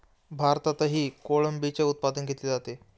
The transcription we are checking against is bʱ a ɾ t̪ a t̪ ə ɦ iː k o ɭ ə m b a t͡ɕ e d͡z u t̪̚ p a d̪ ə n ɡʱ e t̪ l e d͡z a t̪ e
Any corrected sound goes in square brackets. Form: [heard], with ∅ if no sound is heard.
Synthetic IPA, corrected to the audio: bʱ a ɾ t̪ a t̪ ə ɦ iː k o ɭ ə m b [i] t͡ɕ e [∅] u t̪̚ p a d̪ ə n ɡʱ e t̪ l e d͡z a t̪ e